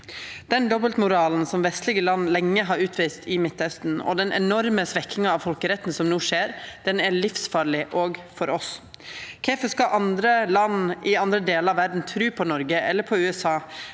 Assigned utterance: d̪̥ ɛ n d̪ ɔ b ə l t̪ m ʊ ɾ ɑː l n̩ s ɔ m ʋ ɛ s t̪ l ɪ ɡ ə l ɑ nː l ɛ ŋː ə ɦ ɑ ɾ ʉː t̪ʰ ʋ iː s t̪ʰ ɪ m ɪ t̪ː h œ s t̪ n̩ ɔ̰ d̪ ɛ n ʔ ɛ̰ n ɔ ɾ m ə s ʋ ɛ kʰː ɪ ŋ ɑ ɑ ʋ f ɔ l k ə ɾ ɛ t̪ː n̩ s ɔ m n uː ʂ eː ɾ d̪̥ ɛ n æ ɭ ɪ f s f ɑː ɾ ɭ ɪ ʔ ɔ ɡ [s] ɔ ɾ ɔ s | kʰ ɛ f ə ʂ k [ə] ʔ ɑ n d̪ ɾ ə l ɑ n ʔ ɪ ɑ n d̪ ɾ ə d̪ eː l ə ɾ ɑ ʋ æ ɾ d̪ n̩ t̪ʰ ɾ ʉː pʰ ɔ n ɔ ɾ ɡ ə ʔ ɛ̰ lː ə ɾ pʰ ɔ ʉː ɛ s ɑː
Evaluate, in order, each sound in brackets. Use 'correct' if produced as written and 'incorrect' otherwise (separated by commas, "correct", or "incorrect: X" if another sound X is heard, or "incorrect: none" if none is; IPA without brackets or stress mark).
incorrect: f, incorrect: ɑ